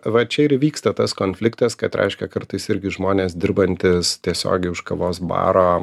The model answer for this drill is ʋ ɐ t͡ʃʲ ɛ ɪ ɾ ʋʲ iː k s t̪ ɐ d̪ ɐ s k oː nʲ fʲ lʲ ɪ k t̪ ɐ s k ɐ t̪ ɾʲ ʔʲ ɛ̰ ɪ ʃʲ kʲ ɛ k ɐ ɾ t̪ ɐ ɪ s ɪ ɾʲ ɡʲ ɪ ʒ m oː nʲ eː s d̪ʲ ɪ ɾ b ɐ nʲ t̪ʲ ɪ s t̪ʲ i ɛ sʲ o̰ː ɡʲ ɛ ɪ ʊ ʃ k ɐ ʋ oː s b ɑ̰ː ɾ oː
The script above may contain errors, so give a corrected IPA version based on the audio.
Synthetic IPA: ʋ ɐ t͡ʃʲ ɛ ɪ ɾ ʋʲ iː k s t̪ ɐ t̪ ɐ s k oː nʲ fʲ lʲ ɪ k t̪ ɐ s k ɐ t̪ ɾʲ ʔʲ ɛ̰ ɪ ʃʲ kʲ ɛ k ɐ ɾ t̪ ɐ ɪ s ɪ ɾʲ ɡʲ ɪ ʒ m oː nʲ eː s d̪ʲ ɪ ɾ b ɐ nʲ t̪ʲ ɪ s t̪ʲ i ɛ sʲ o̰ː ɡʲ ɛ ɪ ʊ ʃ k ɐ ʋ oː s b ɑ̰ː ɾ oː